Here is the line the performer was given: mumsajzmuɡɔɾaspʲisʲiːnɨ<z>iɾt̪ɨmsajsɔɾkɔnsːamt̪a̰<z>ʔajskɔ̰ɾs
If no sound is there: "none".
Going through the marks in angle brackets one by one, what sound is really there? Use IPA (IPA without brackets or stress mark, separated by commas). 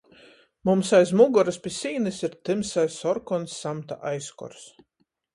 s, none